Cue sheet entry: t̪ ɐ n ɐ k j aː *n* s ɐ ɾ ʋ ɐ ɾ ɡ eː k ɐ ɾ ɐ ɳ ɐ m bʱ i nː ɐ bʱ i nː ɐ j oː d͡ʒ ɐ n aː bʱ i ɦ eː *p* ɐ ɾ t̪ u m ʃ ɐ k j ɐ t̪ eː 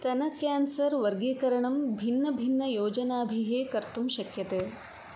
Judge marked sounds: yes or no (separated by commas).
yes, no